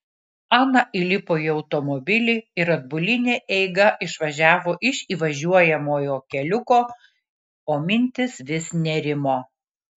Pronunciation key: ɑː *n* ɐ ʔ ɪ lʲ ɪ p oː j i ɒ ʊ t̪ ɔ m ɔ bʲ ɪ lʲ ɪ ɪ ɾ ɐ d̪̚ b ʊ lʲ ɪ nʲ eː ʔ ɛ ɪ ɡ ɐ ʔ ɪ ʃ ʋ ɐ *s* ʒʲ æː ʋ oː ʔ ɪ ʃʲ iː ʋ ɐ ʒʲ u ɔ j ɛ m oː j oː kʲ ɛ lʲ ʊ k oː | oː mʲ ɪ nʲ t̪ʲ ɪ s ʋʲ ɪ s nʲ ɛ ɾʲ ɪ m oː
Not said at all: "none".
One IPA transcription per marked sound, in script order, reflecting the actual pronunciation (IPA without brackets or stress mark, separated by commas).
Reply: n, none